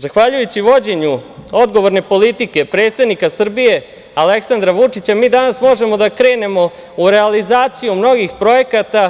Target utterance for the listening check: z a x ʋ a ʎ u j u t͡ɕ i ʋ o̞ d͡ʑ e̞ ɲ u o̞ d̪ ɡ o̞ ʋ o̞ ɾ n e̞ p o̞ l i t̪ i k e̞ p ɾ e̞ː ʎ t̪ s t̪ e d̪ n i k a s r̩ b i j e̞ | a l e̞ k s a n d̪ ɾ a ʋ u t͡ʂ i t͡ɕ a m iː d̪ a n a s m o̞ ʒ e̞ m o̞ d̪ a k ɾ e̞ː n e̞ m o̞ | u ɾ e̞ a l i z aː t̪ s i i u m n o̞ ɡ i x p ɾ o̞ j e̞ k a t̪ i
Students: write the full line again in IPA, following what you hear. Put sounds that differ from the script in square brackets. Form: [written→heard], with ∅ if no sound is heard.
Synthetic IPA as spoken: z a x ʋ a ʎ u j u t͡ɕ i ʋ o̞ d͡ʑ e̞ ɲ u o̞ d̪ ɡ o̞ ʋ o̞ ɾ n e̞ p o̞ l i t̪ i k e̞ p ɾ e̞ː [ʎ→∅] t̪ s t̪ e d̪ n i k a s r̩ b i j e̞ | a l e̞ k s a n d̪ ɾ a ʋ u t͡ʂ i t͡ɕ a m iː d̪ a n a s m o̞ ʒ e̞ m o̞ d̪ a k ɾ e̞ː n e̞ m o̞ | u ɾ e̞ a l i z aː t̪ s i [i→j] u m n o̞ ɡ i x p ɾ o̞ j e̞ k a t̪ [i→a]

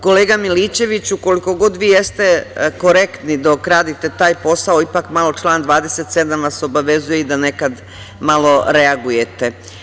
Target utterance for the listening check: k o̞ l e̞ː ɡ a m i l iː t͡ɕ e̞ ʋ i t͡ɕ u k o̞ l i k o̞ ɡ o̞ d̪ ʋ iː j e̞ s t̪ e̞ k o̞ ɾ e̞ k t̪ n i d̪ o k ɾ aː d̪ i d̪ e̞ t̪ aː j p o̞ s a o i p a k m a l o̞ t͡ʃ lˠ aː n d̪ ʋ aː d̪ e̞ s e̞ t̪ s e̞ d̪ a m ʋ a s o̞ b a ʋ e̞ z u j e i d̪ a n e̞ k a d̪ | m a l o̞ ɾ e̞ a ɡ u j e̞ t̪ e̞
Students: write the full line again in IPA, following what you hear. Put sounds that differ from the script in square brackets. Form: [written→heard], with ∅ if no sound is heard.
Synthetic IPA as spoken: k o̞ l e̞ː ɡ a m i l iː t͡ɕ e̞ ʋ i t͡ɕ u k o̞ l i k o̞ ɡ o̞ d̪ ʋ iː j e̞ s t̪ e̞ k o̞ ɾ e̞ k t̪ n i d̪ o k ɾ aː d̪ i [d̪→t̪] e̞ t̪ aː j p o̞ s a o i p a k m a l o̞ t͡ʃ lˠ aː n d̪ ʋ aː d̪ e̞ s e̞ t̪ s e̞ d̪ a m ʋ a s o̞ b a ʋ e̞ z u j e i d̪ a n e̞ k a d̪ | m a l o̞ ɾ e̞ a ɡ u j e̞ t̪ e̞

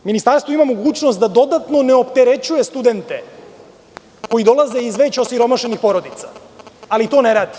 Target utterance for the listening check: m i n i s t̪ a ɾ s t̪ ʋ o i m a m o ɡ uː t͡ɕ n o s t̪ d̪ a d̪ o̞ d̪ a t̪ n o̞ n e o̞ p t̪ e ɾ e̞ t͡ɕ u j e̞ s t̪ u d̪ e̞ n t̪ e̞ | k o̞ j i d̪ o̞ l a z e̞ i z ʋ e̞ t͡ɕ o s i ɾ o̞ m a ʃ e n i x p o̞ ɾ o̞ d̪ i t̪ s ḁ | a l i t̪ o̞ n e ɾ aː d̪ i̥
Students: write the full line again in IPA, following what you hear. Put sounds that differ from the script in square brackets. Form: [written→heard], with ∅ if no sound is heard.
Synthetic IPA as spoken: m i n i s t̪ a ɾ s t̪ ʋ o i m a m o ɡ uː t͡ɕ n o s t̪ d̪ a d̪ o̞ d̪ a t̪ n o̞ n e o̞ p t̪ e ɾ e̞ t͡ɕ u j e̞ s t̪ u d̪ e̞ n t̪ e̞ | k o̞ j i d̪ o̞ l a z e̞ i z ʋ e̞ t͡ɕ o s i ɾ o̞ m a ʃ e n i x p o̞ ɾ o̞ d̪ i t̪ s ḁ | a l i t̪ o̞ n e ɾ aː d̪ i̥

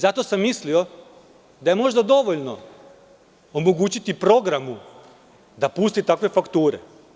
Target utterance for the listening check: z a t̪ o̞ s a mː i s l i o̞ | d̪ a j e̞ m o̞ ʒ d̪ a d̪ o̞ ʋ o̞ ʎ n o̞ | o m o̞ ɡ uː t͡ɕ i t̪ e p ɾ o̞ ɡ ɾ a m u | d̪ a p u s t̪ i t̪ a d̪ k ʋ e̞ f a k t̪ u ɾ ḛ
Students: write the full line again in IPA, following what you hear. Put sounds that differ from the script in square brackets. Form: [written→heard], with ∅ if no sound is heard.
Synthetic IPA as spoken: z a t̪ o̞ s a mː i s l i o̞ | d̪ a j e̞ m o̞ ʒ d̪ a d̪ o̞ ʋ o̞ ʎ n o̞ | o m o̞ ɡ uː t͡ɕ i t̪ [e→i] p ɾ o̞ ɡ ɾ a m u | d̪ a p u s t̪ i t̪ a [d̪→∅] k ʋ e̞ f a k t̪ [u→uː] ɾ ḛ

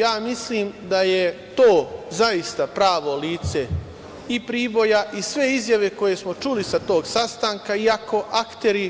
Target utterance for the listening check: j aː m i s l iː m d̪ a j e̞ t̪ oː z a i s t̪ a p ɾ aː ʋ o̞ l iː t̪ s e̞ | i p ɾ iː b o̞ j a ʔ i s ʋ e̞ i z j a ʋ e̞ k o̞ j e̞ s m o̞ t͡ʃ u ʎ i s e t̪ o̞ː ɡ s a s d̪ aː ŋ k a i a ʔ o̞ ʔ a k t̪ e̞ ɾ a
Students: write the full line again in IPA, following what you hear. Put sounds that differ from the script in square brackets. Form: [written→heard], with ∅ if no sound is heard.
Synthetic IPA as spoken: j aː m i s l iː m d̪ a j e̞ t̪ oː z a i s t̪ a p ɾ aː ʋ o̞ l iː t̪ s e̞ | i p ɾ iː b o̞ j a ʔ i s ʋ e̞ i z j a ʋ e̞ k o̞ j e̞ s m o̞ t͡ʃ u [ʎ→l] i s [e→a] t̪ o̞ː ɡ s a s [d̪→t̪] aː ŋ k a i a [ʔ→k] o̞ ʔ a k t̪ e̞ ɾ [a→i]

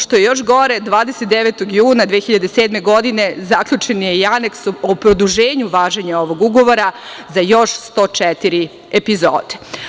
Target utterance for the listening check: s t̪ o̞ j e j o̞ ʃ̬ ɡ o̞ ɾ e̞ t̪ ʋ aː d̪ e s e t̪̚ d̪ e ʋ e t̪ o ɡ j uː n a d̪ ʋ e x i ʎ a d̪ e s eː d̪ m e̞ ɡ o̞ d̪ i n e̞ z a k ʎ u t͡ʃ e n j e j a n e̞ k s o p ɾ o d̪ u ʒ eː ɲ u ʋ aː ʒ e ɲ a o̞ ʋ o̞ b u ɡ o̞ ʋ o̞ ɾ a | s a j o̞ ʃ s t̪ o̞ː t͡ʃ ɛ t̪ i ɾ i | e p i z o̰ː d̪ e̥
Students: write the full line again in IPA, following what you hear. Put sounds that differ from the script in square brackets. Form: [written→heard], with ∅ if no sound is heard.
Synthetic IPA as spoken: [s→ʃ] t̪ o̞ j e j o̞ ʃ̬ ɡ o̞ ɾ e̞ [t̪→d̪] ʋ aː d̪ e s e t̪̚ d̪ e ʋ e t̪ o ɡ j uː n a d̪ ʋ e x i ʎ a d̪ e s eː d̪ m e̞ ɡ o̞ d̪ i n e̞ z a k ʎ u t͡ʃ e n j e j a n e̞ k s o p ɾ o d̪ u ʒ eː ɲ u ʋ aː ʒ e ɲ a o̞ ʋ o̞ [b→ɡ] u ɡ o̞ ʋ o̞ ɾ a | [s→z] a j o̞ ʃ s t̪ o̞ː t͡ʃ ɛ t̪ i ɾ i | e p i z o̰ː d̪ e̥

